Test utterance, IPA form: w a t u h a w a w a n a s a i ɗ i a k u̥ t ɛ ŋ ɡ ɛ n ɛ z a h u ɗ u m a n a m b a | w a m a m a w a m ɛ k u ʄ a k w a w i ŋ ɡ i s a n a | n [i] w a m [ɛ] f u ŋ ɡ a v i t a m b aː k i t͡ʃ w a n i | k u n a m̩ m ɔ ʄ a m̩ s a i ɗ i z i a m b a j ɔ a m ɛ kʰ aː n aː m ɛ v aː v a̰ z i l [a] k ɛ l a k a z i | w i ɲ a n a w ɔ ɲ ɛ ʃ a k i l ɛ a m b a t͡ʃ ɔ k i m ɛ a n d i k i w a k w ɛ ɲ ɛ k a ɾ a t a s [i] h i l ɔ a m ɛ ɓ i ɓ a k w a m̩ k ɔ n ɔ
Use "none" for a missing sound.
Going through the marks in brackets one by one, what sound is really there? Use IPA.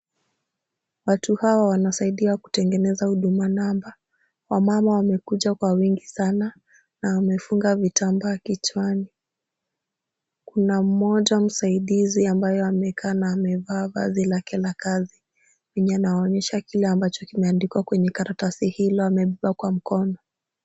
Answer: a, ɛ, a, i

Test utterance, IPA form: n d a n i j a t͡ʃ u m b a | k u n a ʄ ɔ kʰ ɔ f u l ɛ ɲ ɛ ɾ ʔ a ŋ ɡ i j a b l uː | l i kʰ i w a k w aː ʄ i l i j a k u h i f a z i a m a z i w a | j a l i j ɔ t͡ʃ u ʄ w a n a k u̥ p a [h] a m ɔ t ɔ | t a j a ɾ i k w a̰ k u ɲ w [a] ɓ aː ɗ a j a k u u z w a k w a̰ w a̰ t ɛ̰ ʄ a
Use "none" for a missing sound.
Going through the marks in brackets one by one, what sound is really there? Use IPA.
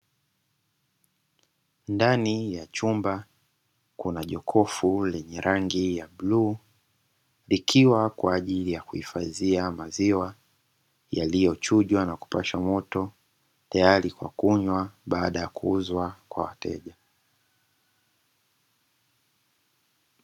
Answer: ʃ, a

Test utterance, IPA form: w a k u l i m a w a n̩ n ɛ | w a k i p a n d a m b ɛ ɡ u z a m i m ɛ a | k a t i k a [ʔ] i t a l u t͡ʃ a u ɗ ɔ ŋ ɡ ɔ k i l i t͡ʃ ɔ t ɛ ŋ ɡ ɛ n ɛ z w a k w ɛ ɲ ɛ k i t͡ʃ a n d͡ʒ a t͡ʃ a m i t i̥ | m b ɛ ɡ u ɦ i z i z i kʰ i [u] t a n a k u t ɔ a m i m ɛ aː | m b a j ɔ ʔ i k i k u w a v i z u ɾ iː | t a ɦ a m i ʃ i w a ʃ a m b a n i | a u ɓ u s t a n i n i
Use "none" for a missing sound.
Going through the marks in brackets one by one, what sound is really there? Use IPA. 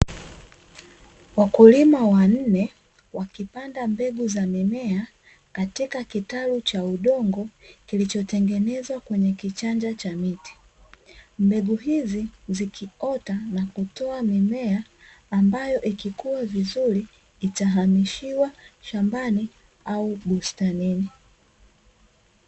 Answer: k, ɔ

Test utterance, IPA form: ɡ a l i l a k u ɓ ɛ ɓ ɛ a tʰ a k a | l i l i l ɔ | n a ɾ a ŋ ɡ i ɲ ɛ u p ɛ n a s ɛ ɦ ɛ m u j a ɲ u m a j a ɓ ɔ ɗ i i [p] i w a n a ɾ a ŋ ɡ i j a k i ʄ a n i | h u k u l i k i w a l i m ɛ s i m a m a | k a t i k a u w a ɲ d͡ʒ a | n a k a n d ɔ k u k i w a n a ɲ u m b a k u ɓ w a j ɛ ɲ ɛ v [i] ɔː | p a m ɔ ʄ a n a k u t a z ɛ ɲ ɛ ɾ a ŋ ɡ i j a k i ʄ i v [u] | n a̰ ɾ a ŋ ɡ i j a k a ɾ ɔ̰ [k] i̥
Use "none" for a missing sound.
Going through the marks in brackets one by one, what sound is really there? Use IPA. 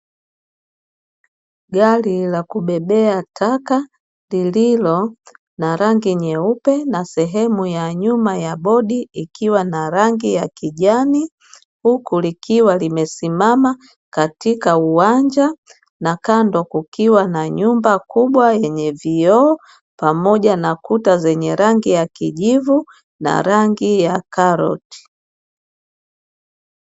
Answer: k, i, u, t

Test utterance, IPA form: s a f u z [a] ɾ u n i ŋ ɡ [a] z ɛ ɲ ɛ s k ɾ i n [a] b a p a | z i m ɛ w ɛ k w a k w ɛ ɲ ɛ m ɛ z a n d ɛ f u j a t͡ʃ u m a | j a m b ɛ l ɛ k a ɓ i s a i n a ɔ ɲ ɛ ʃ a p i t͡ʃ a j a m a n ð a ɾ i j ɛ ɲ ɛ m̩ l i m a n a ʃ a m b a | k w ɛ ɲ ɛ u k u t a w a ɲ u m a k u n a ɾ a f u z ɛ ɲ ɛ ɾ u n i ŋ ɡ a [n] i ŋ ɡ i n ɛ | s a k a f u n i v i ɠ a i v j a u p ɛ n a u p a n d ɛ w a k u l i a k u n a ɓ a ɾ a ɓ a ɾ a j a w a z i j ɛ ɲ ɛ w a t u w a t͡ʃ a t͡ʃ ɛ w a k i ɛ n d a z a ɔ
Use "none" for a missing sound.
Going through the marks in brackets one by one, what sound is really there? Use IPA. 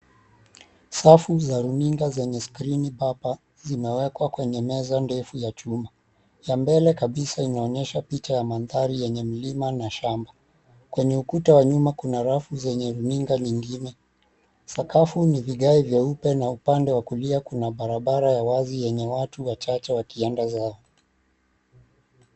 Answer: a, a, i, ɲ

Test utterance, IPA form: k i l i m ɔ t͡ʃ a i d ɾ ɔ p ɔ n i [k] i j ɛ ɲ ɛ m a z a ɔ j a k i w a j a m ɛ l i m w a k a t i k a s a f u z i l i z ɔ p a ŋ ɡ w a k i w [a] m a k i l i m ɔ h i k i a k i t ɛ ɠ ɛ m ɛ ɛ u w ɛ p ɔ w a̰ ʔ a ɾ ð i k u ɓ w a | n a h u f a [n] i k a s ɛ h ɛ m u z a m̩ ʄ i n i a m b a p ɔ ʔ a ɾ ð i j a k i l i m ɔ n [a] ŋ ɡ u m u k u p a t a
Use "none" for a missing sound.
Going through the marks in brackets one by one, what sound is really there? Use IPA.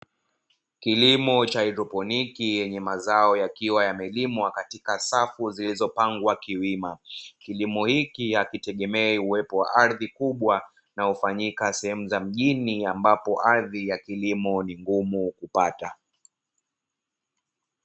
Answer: k, i, ɲ, i

